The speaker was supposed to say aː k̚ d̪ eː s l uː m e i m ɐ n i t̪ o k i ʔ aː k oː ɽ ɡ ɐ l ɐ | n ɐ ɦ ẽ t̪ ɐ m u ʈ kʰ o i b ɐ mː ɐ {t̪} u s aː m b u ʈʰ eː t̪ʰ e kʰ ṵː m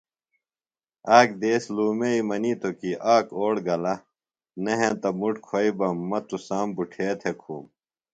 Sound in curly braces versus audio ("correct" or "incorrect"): correct